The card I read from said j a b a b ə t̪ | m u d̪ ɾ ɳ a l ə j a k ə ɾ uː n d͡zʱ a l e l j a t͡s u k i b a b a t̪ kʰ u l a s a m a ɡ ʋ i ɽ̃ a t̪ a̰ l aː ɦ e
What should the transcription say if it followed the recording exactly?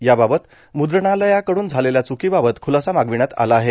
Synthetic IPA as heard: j a b a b ə t̪ | m u d̪ ɾ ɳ a l ə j a k ə ɽ uː n d͡zʱ a l e l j a t͡s u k i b a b ə t̪ kʰ u l a s a m a ɡ ʋ i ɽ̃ a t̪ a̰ l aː ɦ e

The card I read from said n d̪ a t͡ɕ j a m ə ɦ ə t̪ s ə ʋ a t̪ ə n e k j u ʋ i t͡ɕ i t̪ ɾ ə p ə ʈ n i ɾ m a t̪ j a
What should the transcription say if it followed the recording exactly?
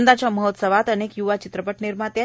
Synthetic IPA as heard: n d̪ a t͡ɕ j a m ə ɦ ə t̪ s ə ʋ a t̪ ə n e k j u ʋ a t͡ɕ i t̪ ɾ ə p ə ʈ n i ɾ m a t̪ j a

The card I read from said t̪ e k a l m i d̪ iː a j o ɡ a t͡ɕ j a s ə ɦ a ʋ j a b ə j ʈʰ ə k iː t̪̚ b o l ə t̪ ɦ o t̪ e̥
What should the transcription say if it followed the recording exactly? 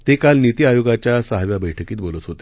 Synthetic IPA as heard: t̪ e k a l n i t̪ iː a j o ɡ a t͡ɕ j a s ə ɦ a ʋ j a b ə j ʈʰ ə k iː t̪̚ b o l ə t̪ ɦ o t̪ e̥

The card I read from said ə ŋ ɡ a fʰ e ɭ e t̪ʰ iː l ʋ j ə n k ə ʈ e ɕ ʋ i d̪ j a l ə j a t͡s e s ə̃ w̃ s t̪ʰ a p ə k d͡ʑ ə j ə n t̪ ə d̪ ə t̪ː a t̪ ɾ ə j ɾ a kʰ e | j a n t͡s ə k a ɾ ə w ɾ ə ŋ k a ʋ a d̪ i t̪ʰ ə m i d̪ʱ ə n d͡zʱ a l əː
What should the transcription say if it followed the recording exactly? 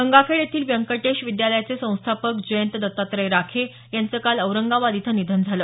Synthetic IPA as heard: ə ŋ ɡ a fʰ e ɭ e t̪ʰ iː l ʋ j ə ŋ k ə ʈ e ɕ ʋ i d̪ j a l ə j a t͡s e s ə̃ w̃ s t̪ʰ a p ə k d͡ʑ ə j ə n t̪ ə d̪ ə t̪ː a t̪ ɾ ə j ɾ a kʰ e | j a n t͡s ə k a l ə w ɾ ə ŋ ɡ a ʋ a d̪ i t̪ʰ ə n i d̪ʱ ə n d͡zʱ a l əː

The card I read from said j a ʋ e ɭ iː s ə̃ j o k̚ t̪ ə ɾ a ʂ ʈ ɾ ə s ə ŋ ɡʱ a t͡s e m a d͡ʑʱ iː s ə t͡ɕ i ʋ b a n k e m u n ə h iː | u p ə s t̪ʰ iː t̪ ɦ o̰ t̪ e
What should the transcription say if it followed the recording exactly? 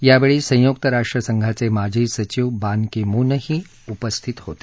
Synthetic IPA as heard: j a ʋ e ɭ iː s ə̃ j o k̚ t̪ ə ɾ a ʂ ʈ ɾ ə s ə ŋ ɡʱ a t͡s e m a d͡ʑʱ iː s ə t͡ɕ i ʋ b a n k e m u n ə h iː | u p ə s t̪ʰ i t̪ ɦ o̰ t̪ e

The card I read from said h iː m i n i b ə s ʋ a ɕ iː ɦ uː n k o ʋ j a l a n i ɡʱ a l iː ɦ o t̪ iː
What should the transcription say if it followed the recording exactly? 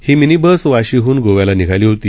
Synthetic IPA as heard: h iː m i n i b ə s ʋ a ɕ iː ɦ uː n ɡ o ʋ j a l a n i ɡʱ a l iː ɦ o t̪ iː

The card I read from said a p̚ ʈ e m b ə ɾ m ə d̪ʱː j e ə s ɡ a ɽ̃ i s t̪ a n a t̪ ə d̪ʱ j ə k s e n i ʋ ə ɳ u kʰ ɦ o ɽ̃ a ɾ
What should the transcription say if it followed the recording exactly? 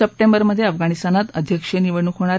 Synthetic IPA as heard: ə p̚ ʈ e m b ə ɾ m ə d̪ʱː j e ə f ɡ a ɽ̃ i s t̪ a n a t̪ ə d̪ʱ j ə k ʂ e n i ʋ ə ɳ u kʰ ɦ o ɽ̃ a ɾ

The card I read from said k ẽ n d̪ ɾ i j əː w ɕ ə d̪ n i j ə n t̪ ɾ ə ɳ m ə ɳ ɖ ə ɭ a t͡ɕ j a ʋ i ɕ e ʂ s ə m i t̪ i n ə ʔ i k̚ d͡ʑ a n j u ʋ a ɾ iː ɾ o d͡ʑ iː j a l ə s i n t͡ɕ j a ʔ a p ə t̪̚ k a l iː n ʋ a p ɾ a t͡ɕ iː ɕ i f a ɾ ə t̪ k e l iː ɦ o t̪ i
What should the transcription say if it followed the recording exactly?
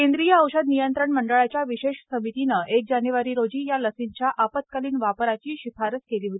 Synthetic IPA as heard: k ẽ n d̪ ɾ i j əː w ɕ ə d̪ n i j ə n t̪ ɾ ə ɳ m ə ɳ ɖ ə ɭ a t͡ɕ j a ʋ i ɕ e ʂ s ə m i t̪ i n ə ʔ e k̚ d͡ʑ a n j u ʋ a ɾ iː ɾ o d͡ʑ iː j a l ə s i n t͡ɕ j a ʔ a p ə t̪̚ k a l iː n ʋ a p ɾ a t͡ɕ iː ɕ i f a ɾ ə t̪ k e l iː ɦ o t̪ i

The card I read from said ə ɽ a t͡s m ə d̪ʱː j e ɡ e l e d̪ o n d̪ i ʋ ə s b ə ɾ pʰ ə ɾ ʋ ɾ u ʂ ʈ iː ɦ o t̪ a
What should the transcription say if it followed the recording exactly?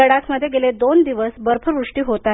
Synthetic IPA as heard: ə ɽ a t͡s m ə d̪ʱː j e ɡ e l e d̪ o n d̪ i ʋ ə s b ə ɾ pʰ ə ɾ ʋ ɾ u ʂ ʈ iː ɦ o t̪ a

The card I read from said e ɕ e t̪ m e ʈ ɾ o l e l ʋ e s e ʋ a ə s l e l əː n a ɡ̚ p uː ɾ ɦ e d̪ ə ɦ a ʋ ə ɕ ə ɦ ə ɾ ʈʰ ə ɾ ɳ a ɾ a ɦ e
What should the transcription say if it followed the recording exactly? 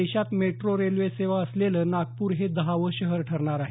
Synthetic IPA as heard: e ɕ a t̪ m e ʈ ɾ o ɾ e l ʋ e s e ʋ a ə s l e l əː n a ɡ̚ p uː ɾ ɦ e d̪ ə ɦ a ʋ ə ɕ ə ɦ ə ɾ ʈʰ ə ɾ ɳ a ɾ a ɦ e

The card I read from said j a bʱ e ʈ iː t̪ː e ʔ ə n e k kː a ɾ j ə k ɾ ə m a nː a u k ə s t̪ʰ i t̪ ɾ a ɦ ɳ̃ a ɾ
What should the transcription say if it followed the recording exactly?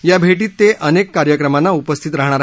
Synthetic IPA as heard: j a bʱ e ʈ iː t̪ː e ʔ ə n e k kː a ɾ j ə k ɾ ə m a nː a u p ə s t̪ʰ i t̪ ɾ a ɦ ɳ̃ a ɾ

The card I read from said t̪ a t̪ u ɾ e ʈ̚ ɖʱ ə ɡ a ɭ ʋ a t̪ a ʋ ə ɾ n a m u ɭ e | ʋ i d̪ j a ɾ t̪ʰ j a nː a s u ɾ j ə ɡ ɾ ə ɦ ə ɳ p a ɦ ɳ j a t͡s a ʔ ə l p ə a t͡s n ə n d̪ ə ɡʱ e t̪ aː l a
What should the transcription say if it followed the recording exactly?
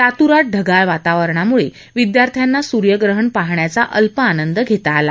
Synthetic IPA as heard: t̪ a t̪ u ɾ a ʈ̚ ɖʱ ə ɡ a ɭ ʋ a t̪ a ʋ ə ɾ ɳ a m u ɭ e | ʋ i d̪ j a ɾ t̪ʰ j a nː a s u ɾ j ə ɡ ɾ ə ɦ ə ɳ p a ɦ ɳ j a t͡s a ʔ ə l p ə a n ə n d̪ ə ɡʱ e t̪ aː l a

